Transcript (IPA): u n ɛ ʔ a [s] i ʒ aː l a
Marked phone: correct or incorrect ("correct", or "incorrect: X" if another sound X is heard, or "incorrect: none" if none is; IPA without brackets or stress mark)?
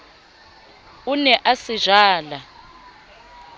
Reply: correct